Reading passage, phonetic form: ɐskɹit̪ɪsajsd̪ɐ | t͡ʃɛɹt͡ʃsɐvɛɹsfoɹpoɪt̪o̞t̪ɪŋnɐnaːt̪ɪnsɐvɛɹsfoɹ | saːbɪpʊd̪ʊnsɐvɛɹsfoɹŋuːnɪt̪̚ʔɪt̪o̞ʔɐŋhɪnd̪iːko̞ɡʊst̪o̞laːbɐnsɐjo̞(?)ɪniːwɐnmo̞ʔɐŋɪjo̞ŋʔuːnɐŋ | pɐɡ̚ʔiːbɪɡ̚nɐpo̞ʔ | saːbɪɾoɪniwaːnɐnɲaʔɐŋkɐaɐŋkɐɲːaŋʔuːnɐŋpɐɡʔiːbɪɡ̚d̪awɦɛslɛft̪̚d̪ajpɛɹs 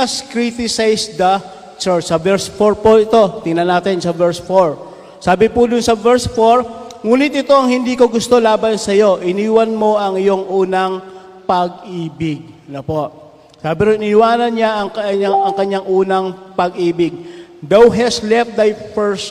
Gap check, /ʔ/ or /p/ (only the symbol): ʔ